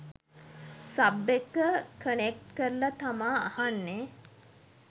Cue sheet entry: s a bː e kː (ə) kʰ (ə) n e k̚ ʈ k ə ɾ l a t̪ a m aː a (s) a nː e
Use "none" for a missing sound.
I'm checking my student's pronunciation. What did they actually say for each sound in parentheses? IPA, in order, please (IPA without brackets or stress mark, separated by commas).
ə, ə, h